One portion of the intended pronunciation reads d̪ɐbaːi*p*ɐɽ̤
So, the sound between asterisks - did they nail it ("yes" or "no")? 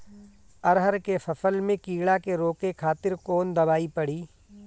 yes